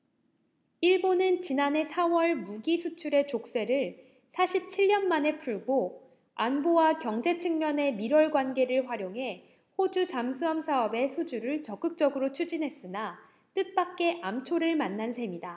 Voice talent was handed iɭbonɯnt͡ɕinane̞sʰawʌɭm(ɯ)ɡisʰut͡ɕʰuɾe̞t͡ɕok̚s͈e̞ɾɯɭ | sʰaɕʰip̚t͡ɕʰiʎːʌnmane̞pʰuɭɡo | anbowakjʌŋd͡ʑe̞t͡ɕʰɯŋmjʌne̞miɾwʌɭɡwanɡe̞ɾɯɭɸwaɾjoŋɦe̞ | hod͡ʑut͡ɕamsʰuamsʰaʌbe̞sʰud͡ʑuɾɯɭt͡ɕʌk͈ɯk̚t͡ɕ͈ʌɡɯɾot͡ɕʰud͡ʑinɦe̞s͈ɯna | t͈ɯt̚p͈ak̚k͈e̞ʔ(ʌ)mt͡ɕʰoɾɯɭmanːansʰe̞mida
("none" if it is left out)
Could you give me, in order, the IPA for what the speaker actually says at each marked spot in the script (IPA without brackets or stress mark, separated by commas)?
u, a